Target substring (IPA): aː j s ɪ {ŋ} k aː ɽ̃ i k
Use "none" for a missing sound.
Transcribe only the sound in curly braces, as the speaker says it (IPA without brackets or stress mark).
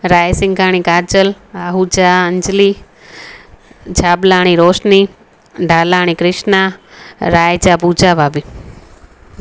ŋ